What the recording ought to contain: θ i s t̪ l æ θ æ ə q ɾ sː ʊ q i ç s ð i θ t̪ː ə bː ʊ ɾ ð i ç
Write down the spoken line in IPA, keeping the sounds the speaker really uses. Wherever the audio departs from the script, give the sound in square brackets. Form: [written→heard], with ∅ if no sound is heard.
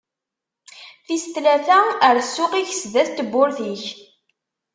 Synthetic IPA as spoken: θ i s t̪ l æ θ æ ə [q→∅] ɾ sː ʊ q i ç s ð [i→æ] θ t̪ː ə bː ʊ ɾ [ð→θ] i ç